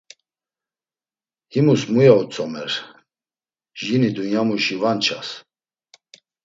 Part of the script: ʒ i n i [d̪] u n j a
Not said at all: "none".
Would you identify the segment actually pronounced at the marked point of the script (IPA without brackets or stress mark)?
d̪